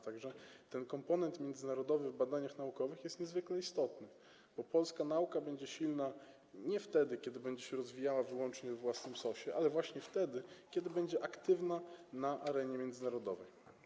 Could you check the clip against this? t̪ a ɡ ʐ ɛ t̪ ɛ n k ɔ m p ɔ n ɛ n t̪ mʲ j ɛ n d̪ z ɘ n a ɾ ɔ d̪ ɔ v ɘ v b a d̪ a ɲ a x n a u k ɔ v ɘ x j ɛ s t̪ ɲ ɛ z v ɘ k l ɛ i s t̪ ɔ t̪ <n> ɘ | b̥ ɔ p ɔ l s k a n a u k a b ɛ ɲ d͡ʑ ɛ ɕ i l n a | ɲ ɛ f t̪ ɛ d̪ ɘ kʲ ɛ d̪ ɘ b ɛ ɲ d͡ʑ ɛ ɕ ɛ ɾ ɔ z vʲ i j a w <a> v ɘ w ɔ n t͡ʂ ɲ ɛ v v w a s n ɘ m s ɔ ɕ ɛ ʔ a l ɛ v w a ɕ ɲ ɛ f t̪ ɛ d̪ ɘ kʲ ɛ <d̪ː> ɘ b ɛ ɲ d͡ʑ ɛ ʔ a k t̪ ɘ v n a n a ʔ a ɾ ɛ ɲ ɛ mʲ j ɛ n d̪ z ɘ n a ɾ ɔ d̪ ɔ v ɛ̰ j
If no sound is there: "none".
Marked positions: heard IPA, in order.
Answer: n, a, d̪

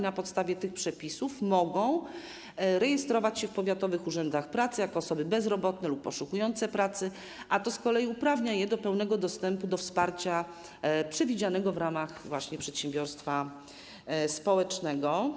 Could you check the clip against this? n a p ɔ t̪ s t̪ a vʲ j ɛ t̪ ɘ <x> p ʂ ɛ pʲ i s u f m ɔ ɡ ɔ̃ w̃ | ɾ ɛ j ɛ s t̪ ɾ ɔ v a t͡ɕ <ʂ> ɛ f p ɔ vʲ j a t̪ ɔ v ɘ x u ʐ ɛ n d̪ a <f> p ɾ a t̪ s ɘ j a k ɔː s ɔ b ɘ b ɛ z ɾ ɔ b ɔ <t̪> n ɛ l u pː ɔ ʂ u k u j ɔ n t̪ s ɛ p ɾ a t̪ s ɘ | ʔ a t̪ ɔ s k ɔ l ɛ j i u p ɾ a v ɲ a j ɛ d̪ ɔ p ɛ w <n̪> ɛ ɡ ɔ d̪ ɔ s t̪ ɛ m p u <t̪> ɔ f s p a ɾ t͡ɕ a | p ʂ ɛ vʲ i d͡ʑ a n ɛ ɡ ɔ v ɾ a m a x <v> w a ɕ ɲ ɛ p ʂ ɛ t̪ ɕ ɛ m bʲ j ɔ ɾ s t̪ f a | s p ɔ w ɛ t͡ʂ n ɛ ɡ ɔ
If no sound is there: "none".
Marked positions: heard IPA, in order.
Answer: x, ɕ, x, t̪, n̪, d̪, v

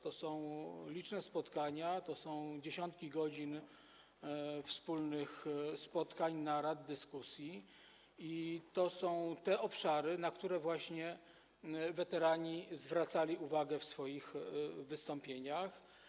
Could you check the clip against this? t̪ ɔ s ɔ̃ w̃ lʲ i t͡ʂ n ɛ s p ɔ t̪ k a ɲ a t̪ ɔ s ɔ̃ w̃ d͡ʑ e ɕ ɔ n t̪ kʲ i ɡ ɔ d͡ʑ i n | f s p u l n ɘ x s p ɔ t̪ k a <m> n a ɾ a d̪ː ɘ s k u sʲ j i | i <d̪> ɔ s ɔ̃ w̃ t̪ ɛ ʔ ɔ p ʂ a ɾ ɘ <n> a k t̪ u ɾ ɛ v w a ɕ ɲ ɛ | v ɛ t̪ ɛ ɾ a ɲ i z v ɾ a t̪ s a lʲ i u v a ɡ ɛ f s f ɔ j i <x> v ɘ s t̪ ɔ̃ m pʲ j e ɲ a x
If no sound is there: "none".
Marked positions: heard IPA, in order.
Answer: ɲ, t̪, n, x

